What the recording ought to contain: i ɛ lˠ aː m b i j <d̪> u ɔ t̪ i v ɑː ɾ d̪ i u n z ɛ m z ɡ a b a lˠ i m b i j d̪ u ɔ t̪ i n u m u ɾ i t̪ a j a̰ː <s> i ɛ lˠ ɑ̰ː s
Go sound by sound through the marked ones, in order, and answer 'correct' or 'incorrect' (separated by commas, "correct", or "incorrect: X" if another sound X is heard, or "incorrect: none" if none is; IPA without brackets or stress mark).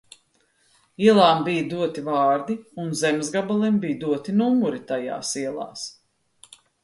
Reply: correct, correct